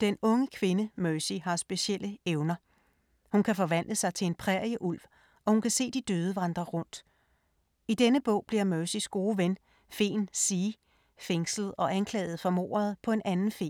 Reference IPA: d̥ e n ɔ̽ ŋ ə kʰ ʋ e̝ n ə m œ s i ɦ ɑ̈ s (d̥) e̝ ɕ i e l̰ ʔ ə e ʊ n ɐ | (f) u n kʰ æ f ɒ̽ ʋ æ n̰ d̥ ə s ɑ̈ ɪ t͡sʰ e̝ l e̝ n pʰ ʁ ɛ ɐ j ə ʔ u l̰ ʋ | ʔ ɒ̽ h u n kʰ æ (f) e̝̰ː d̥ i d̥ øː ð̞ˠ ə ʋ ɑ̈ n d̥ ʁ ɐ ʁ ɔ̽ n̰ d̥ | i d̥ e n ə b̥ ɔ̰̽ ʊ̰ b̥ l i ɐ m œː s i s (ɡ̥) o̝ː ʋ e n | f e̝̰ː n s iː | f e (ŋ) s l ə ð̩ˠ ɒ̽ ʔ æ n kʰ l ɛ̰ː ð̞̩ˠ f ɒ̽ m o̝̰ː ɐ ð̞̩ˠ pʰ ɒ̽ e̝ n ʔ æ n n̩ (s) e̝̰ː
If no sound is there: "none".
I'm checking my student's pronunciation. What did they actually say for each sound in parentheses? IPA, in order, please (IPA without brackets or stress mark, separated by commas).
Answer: b̥, h, s, ɡ̥, ŋ, f